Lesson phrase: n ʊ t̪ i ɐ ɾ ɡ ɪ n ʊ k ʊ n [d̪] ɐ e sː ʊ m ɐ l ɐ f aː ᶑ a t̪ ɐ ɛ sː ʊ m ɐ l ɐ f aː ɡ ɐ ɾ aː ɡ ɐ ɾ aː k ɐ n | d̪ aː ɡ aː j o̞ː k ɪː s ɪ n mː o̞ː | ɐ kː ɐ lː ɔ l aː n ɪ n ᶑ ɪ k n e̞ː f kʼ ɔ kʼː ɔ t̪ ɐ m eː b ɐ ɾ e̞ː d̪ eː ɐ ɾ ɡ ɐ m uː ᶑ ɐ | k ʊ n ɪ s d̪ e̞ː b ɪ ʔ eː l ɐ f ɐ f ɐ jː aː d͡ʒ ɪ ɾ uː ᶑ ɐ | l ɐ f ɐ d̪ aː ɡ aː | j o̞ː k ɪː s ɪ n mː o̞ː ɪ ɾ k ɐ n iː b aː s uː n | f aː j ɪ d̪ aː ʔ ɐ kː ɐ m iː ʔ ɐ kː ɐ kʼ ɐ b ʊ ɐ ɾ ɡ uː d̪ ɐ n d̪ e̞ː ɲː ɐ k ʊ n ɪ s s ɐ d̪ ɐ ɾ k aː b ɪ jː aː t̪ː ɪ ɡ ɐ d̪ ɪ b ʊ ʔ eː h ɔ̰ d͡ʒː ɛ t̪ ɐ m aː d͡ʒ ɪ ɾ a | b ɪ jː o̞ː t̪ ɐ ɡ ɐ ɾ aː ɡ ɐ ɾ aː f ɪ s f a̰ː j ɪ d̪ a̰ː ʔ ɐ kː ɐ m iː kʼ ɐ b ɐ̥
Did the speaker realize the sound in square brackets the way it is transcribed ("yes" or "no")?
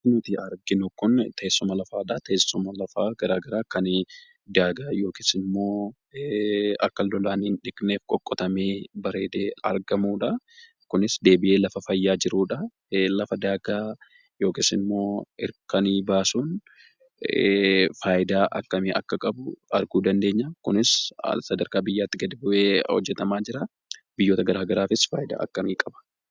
no